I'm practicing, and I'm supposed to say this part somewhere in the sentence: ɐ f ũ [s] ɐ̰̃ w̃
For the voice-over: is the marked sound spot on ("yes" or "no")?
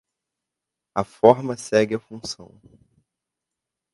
yes